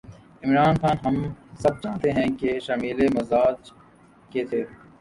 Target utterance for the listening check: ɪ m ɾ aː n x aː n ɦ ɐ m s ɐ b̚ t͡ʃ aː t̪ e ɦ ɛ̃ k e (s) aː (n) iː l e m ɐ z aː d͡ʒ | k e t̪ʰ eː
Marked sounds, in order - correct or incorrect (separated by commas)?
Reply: incorrect, incorrect